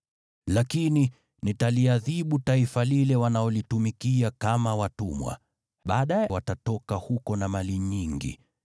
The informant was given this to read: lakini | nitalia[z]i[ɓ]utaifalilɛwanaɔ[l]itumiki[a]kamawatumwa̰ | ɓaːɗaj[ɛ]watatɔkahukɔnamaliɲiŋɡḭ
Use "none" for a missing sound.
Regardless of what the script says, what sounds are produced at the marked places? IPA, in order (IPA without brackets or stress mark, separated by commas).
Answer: ð, ɓ, l, a, ɛ